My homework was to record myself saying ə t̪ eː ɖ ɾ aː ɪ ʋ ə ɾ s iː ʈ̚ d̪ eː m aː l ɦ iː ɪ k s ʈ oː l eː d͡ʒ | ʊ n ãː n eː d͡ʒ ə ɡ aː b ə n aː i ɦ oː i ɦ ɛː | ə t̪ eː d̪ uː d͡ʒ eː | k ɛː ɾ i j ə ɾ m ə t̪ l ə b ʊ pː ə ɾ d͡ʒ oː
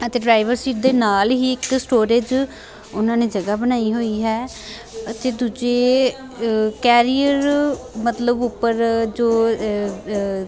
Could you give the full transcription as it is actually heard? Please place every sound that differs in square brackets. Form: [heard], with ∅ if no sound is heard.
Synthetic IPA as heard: ə t̪ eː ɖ ɾ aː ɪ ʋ ə ɾ s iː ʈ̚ d̪ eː [n] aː l ɦ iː ɪ k s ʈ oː [ɾ] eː d͡ʒ | ʊ n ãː n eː d͡ʒ ə ɡ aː b ə n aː i ɦ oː i ɦ ɛː | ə t̪ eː d̪ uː d͡ʒ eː | k ɛː ɾ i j ə ɾ m ə t̪ l ə b ʊ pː ə ɾ d͡ʒ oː